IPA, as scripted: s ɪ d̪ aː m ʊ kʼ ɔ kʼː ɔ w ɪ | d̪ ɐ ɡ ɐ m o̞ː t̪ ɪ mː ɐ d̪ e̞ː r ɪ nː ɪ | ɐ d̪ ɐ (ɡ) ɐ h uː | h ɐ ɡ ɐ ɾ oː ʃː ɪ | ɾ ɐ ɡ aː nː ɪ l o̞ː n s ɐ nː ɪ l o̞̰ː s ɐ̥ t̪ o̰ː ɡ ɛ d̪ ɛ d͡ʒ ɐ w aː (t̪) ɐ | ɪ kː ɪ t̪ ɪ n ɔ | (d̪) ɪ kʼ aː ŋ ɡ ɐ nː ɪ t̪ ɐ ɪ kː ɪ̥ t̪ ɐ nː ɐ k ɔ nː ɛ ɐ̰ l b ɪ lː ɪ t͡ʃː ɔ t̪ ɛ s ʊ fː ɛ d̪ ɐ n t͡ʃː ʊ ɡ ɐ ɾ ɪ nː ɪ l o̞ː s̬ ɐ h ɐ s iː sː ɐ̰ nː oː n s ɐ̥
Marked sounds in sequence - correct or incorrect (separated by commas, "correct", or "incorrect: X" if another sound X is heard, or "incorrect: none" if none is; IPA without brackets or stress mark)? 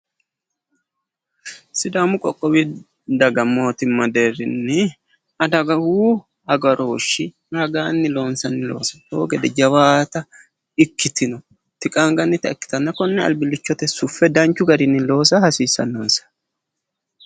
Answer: correct, correct, incorrect: t̪